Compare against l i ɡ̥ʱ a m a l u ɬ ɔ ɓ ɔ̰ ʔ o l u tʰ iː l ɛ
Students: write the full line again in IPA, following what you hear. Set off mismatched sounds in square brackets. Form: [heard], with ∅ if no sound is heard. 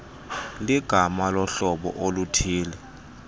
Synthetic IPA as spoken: l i ɡ̥ʱ a m a l [ɔ] ɬ ɔ ɓ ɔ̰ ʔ o l u tʰ iː l ɛ